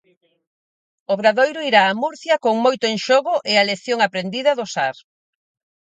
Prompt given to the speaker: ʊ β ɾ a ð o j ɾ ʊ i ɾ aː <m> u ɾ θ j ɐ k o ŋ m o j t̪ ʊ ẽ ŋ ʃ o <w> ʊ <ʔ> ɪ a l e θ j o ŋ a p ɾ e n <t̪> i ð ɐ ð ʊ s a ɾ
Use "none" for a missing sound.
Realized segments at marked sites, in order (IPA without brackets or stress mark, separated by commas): m, ɣ, ʔ, d̪